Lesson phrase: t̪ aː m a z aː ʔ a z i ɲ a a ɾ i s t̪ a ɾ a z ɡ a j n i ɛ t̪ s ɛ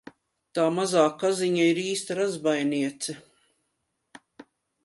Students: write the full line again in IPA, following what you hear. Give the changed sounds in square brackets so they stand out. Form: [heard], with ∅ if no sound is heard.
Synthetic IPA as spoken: t̪ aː m a z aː [k] a z i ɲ a [i] ɾ [iː] s t̪ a ɾ a z [b] a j n i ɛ t̪ s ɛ